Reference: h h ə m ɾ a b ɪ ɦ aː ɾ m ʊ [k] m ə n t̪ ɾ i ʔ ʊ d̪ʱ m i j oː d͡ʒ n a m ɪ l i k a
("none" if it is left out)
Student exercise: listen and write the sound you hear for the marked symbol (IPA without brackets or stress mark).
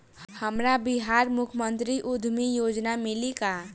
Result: kʰ